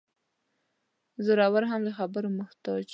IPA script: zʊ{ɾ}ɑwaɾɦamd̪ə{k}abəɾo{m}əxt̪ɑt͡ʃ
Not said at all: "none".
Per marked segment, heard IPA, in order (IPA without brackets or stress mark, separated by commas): ɾ, x, m